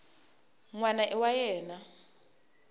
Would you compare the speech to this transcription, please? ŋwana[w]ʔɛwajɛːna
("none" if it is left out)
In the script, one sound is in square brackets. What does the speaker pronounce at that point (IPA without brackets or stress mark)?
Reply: none